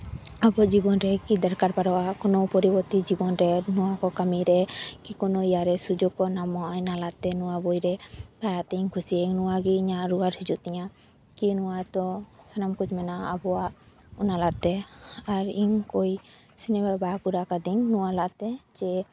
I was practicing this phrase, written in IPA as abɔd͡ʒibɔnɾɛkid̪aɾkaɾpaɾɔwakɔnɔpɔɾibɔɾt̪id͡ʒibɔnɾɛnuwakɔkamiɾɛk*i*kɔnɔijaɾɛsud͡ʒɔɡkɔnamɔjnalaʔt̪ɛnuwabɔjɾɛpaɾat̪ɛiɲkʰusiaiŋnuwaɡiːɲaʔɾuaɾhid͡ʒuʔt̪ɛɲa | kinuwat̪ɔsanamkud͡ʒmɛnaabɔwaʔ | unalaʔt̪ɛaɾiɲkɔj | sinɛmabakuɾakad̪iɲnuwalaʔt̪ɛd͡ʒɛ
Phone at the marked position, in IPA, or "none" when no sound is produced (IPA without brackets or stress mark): i